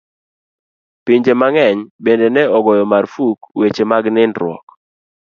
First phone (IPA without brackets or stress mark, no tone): p